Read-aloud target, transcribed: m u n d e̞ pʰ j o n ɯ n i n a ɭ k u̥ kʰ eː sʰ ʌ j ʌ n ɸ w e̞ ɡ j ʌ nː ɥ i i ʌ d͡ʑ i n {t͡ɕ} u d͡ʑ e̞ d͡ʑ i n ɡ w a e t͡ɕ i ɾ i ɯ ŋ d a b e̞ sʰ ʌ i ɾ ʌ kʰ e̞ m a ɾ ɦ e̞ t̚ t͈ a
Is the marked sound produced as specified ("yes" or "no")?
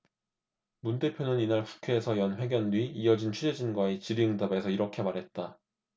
no